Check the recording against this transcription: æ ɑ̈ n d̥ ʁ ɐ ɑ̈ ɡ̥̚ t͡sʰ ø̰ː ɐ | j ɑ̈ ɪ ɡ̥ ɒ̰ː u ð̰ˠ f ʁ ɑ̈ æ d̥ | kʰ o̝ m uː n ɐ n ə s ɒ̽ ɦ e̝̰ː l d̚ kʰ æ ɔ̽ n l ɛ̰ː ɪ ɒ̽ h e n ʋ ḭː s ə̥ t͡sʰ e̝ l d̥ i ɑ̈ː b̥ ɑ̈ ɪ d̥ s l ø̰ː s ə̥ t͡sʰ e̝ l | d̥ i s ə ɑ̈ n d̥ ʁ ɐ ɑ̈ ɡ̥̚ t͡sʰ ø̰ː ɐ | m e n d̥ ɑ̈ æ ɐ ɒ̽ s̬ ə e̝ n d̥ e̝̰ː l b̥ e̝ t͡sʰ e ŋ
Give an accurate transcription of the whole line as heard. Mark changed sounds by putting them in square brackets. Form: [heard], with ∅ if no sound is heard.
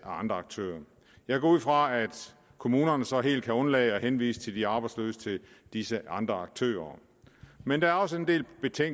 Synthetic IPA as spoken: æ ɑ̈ n d̥ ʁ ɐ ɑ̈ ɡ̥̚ t͡sʰ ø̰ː ɐ | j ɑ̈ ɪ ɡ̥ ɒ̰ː u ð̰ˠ f ʁ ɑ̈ æ d̥ | kʰ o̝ m uː n ɐ n ə s ɒ̽ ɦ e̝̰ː l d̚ kʰ æ ɔ̽ n l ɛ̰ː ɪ ɒ̽ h e n ʋ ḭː s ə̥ t͡sʰ e̝ l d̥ i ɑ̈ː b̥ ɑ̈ ɪ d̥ s l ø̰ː s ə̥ t͡sʰ e̝ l | d̥ i s ə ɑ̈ n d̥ ʁ ɐ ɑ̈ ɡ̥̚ t͡sʰ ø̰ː ɐ | m e n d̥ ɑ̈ æ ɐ ɒ̽ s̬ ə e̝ n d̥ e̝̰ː l b̥ e̝ t͡sʰ e ŋ